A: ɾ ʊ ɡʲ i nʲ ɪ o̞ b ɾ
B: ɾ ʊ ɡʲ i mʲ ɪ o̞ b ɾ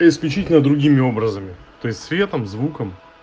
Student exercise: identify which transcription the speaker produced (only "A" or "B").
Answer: B